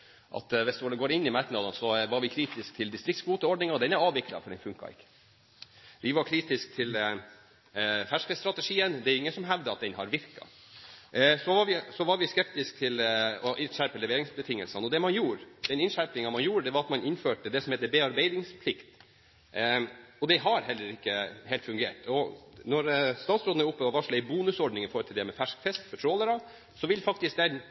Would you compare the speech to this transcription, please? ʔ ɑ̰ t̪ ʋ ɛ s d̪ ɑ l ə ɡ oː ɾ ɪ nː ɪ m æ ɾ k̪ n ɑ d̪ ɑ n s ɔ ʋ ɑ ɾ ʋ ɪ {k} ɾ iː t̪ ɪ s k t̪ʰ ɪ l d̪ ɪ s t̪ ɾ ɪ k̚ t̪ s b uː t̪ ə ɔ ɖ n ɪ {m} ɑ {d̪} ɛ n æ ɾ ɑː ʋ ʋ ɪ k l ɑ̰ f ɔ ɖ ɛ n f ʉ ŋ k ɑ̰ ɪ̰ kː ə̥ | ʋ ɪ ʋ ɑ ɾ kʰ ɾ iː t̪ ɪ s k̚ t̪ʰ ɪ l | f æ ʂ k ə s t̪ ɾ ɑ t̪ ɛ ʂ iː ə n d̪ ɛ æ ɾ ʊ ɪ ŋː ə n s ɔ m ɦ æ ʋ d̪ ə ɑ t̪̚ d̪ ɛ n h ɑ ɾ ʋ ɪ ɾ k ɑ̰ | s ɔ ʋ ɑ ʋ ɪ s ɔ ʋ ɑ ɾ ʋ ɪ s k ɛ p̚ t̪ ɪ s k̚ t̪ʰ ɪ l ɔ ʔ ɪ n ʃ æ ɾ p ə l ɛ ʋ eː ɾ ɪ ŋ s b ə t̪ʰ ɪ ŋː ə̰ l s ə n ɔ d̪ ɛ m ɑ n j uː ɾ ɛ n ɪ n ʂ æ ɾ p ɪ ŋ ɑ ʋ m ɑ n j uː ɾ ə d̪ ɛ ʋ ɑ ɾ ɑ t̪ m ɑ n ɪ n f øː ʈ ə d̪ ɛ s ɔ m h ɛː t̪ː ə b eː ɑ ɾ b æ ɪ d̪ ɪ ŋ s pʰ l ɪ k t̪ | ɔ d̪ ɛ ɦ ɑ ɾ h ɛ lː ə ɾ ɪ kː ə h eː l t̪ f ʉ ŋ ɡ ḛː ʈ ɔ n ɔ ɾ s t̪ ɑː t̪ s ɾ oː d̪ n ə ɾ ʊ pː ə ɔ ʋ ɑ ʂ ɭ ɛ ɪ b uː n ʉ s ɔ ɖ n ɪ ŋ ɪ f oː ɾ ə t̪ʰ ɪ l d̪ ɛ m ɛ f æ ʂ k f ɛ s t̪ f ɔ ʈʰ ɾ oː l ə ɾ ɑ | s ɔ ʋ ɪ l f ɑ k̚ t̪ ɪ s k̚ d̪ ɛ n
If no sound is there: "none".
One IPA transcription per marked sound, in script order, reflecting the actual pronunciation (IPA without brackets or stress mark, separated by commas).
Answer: kʰ, ŋ, d̪